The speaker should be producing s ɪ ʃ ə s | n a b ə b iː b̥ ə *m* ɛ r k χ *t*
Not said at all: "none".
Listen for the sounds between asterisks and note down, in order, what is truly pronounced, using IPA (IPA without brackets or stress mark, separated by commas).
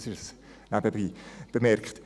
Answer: m, t